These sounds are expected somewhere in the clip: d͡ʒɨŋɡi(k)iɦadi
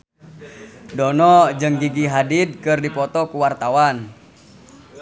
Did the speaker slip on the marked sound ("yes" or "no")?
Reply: yes